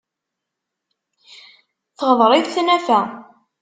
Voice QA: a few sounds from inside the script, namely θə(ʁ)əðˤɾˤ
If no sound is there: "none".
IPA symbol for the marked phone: ʁ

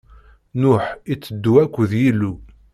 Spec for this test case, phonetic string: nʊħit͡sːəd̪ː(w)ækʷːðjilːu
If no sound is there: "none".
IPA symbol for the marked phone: u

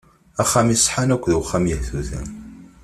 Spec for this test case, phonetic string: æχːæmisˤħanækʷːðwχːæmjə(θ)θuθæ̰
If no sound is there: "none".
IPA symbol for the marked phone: h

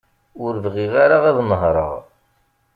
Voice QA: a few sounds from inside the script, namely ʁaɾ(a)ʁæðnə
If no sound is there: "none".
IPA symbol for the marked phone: a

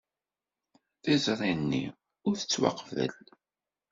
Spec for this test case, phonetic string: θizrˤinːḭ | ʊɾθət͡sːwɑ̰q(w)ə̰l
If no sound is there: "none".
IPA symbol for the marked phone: v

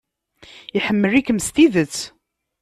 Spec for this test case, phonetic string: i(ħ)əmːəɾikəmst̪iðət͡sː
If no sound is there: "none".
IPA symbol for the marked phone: ħ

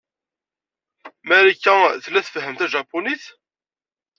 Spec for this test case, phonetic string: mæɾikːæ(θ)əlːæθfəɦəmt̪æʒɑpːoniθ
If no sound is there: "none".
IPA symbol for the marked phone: θ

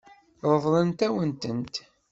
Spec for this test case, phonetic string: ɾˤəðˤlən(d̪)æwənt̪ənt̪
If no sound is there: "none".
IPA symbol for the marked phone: t̪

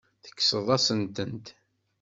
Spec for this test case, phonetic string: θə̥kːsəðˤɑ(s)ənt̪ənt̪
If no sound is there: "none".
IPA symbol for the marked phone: s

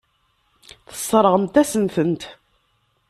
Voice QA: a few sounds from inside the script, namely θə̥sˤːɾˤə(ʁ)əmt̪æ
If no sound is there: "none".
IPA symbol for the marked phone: ʁ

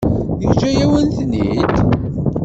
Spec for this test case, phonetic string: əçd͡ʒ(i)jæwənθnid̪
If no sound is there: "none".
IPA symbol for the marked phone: æ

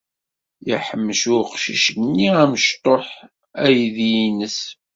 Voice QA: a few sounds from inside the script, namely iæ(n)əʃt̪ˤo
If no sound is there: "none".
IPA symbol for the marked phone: m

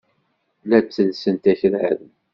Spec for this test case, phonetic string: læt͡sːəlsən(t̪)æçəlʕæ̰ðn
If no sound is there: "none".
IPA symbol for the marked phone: t̪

